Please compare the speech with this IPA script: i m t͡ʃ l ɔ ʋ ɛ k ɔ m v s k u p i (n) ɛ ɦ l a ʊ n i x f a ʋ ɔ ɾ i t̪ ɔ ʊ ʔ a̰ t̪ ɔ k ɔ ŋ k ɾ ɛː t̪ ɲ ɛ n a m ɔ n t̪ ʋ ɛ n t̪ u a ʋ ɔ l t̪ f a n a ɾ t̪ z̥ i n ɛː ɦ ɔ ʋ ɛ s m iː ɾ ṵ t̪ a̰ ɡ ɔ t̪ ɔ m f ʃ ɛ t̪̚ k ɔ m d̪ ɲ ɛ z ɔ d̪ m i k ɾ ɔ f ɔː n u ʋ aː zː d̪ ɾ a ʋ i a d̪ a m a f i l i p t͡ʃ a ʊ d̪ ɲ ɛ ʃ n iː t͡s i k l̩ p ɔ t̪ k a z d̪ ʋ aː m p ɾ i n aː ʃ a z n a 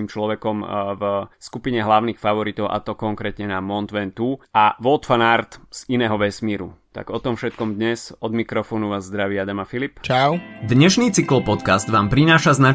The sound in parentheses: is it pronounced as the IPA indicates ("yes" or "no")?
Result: no